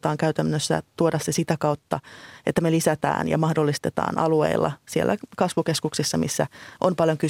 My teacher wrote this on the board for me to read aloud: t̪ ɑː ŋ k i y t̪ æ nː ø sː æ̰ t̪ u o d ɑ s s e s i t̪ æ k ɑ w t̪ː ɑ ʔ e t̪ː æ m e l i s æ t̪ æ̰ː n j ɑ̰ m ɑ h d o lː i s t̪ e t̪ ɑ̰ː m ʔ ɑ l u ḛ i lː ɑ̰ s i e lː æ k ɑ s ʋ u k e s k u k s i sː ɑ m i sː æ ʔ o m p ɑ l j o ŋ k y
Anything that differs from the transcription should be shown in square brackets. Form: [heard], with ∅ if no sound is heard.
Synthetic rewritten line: t̪ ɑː ŋ k [æ] y t̪ æ nː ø sː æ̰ t̪ u o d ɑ s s e s i t̪ æ k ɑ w t̪ː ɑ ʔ e t̪ː æ m e l i s æ t̪ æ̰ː n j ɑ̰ m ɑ h d o lː i s t̪ e t̪ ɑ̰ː [n] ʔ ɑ l u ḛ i lː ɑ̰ s i e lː æ k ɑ s ʋ u k e s k u k s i sː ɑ m i sː æ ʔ o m p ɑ l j o ŋ k y